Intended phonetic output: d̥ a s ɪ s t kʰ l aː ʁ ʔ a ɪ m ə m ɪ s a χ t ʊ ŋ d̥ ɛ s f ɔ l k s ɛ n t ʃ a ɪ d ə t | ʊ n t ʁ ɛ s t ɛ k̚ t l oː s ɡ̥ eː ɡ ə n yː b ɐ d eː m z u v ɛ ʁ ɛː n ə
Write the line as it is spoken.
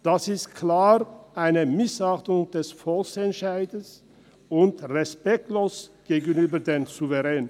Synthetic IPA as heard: d̥ a s ɪ s t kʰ l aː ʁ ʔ a ɪ n ə m ɪ s a χ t ʊ ŋ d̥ ɛ s f ɔ l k s ɛ n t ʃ a ɪ d ə s | ʊ n t ʁ ɛ s p ɛ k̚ t l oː s ɡ̥ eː ɡ ə n yː b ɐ d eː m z u v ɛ ʁ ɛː n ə